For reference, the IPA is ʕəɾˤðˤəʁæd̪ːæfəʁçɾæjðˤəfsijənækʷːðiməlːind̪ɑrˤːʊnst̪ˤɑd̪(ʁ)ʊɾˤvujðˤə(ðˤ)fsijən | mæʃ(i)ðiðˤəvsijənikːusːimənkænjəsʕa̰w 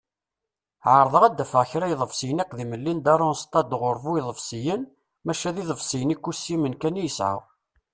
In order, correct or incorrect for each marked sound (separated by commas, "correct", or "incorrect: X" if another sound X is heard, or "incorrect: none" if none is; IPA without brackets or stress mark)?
correct, incorrect: none, incorrect: æ